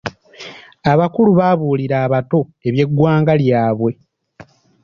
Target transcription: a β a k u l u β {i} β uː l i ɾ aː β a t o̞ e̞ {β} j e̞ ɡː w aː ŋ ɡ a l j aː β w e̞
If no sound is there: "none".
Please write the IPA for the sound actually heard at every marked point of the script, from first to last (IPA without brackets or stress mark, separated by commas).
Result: a, β